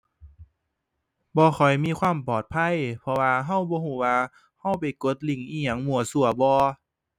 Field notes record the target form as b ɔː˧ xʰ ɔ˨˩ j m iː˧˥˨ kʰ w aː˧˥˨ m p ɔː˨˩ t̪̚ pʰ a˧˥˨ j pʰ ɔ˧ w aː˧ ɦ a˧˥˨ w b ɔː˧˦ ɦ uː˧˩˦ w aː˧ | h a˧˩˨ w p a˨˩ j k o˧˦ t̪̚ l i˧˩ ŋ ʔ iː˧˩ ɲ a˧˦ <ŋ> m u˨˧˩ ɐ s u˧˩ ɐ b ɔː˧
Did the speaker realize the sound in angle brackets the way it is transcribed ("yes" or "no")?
yes